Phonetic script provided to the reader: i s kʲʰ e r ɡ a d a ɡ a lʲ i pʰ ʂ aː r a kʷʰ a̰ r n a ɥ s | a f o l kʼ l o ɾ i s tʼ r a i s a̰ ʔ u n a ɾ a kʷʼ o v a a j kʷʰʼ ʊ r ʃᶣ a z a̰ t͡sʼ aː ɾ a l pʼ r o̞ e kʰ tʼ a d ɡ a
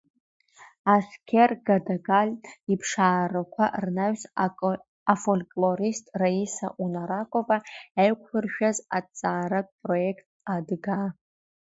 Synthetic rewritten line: a s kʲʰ e r ɡ a d a ɡ a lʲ i pʰ ʂ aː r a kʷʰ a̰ r n a ɥ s | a f o l kʼ l o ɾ i s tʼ r a i s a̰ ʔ u n a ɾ a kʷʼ o v a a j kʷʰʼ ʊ r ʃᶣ a z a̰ t͡sʼ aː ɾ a pʼ r o̞ e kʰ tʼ a d ɡ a